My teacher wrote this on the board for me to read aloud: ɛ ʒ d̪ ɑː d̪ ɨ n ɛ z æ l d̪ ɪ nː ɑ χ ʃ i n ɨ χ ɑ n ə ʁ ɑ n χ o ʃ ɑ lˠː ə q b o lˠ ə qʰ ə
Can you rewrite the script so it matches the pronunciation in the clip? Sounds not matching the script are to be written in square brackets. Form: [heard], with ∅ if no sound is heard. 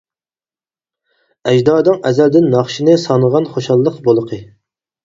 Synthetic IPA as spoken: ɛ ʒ d̪ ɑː d̪ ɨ [ŋ] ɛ z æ l d̪ ɪ nː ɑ χ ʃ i n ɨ [s] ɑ n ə ʁ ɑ n χ o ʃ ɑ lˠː ə q b o lˠ ə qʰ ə